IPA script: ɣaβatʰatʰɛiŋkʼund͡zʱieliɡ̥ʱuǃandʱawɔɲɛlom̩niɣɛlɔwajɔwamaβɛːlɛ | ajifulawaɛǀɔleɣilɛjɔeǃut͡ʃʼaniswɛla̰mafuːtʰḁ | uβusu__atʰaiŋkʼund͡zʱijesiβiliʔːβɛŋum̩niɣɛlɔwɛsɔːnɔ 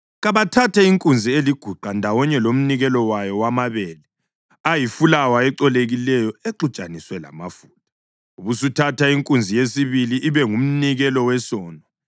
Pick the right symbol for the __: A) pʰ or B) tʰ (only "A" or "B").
B